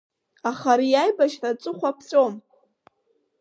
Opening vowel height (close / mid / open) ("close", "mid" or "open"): open